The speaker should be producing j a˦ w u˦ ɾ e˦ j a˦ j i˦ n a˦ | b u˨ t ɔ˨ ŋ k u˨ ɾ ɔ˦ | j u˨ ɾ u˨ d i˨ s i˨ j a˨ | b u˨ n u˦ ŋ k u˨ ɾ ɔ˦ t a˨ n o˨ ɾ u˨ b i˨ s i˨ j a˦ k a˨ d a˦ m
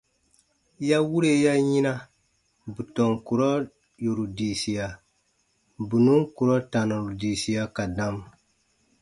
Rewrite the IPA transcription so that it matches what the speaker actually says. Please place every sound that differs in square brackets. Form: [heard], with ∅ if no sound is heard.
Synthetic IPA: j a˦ w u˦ ɾ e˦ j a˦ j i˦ n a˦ | b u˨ t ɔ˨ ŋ k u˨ ɾ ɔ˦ | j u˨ ɾ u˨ d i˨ s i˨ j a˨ | b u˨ n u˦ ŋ k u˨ ɾ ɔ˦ t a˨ n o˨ ɾ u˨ [d] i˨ s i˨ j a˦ k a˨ d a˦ m